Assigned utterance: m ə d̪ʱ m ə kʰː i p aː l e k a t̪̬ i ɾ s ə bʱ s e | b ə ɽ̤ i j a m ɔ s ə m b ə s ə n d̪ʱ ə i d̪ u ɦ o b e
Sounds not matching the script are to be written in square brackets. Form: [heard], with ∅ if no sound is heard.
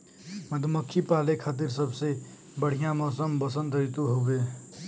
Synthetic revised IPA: m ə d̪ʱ m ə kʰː i p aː l e [kʰ] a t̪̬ i ɾ s ə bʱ s e | b ə ɽ̤ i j a m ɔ s ə m b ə s ə n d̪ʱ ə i [t̪] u ɦ o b e